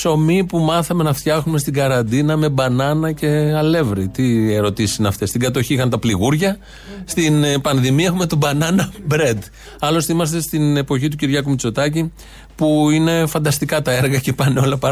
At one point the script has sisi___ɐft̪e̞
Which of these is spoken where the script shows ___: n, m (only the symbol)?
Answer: n